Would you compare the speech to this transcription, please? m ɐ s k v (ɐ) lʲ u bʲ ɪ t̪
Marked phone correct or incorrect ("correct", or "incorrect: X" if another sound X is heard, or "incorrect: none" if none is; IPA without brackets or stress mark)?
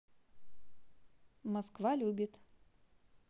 incorrect: a